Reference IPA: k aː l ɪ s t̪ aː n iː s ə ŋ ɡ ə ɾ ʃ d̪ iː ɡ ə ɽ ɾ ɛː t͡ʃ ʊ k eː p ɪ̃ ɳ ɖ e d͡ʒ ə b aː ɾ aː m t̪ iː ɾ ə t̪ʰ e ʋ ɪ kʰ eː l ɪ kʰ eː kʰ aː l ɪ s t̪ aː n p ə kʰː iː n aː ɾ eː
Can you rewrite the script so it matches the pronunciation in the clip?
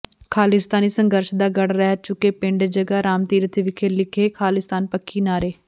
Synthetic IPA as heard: kʰ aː l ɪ s t̪ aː n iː s ə ŋ ɡ ə ɾ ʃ d̪ aː ɡ ə ɽ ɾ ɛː t͡ʃ ʊ k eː p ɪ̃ ɳ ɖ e d͡ʒ ə ɡ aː ɾ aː m t̪ iː ɾ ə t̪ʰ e ʋ ɪ kʰ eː l ɪ kʰ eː kʰ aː l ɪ s t̪ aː n p ə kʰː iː n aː ɾ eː